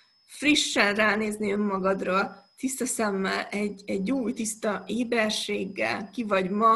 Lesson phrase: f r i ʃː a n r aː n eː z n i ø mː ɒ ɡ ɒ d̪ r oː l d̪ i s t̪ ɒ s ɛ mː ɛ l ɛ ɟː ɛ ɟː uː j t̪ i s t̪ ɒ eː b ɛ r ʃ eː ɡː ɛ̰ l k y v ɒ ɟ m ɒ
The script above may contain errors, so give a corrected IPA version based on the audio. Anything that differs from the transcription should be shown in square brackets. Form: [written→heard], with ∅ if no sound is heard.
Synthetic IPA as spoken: f r i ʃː [a→ɛ] n r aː n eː z n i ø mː ɒ ɡ ɒ d̪ r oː l [d̪→t̪] i s t̪ ɒ s ɛ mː ɛ l ɛ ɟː ɛ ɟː uː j t̪ i s t̪ ɒ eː b ɛ r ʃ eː ɡː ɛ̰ l k [y→i] v ɒ ɟ m ɒ